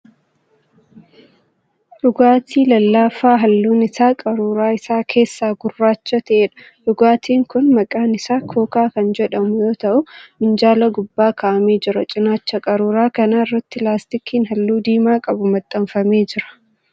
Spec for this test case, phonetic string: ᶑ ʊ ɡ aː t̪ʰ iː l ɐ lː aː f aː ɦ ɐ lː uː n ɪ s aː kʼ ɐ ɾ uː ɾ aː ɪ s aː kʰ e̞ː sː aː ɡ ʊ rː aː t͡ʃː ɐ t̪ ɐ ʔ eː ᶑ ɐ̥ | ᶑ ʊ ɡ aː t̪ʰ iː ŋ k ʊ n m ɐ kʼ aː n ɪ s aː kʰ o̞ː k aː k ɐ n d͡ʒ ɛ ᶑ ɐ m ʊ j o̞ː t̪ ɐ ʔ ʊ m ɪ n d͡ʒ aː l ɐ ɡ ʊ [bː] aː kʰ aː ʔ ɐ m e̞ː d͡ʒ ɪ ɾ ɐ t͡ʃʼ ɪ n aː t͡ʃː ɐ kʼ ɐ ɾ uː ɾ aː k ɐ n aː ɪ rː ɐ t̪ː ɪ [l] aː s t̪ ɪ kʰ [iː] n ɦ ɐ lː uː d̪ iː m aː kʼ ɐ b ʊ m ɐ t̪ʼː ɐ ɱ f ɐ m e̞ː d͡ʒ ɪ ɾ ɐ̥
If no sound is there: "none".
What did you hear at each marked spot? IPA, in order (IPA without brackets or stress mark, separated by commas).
bː, l, iː